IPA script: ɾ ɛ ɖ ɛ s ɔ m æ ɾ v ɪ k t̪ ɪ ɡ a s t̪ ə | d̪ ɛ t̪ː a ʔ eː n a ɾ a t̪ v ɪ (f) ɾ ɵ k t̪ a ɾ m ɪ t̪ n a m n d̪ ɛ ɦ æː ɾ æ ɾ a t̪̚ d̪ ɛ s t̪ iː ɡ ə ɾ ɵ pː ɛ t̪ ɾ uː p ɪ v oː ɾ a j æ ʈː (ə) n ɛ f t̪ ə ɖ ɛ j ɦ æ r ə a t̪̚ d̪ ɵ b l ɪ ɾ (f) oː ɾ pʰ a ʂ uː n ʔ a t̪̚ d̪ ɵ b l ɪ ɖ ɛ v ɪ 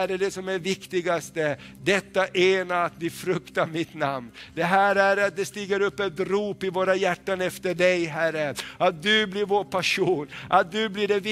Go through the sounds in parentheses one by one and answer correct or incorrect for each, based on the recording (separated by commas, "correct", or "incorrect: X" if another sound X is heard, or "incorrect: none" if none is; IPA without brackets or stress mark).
correct, incorrect: a, incorrect: v